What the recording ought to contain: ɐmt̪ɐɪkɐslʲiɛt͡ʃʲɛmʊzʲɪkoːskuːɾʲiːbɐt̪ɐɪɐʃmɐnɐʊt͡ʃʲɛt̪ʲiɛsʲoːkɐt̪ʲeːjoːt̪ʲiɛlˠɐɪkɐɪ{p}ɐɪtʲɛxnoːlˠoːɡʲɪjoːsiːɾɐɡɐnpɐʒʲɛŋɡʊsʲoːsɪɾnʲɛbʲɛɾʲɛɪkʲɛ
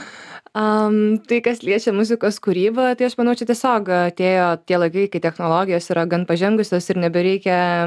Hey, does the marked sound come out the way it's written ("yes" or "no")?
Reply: no